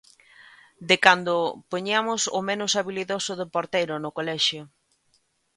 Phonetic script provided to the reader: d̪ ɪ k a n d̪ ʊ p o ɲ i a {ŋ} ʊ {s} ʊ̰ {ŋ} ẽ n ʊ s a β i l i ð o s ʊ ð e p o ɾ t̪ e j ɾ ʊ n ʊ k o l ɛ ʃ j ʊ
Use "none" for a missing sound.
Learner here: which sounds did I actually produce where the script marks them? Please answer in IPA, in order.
m, s, m

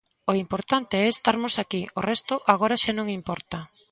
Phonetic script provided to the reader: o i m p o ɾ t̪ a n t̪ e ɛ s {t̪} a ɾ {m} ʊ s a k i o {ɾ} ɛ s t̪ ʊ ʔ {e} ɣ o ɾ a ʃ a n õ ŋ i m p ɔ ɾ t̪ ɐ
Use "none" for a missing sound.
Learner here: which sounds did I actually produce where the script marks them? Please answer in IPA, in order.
t̪, m, r, a

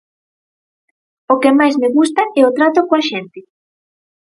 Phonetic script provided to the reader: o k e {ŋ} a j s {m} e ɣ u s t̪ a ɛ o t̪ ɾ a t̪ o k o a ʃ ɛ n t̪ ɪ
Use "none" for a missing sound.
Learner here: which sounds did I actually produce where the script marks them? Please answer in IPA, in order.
m, m

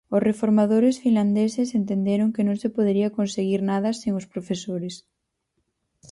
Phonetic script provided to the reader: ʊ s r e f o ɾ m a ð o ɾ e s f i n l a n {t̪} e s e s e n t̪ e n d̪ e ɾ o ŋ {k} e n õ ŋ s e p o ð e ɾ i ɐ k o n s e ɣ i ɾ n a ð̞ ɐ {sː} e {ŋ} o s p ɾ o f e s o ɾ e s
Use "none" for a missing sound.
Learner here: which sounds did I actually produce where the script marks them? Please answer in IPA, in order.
d̪, k, s, ŋ

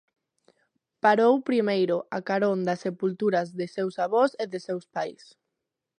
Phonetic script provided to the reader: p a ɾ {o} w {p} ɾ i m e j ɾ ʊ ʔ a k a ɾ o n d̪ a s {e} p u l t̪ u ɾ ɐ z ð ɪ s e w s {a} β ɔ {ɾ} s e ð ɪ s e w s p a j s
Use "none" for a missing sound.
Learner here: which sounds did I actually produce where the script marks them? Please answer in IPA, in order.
o, p, e, a, none

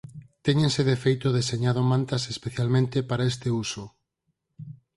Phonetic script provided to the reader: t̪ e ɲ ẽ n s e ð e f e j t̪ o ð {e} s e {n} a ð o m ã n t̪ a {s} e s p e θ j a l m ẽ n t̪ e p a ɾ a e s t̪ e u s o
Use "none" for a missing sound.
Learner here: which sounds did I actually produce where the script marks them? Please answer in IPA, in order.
e, ɲ, s

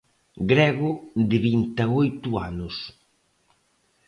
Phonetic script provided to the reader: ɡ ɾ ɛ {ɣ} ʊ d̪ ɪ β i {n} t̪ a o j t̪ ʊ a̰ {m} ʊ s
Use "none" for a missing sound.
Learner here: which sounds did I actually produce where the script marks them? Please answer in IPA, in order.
ɣ, n, n

